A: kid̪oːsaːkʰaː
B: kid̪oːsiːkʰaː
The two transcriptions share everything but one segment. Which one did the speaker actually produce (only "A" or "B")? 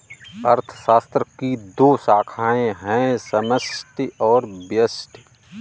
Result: A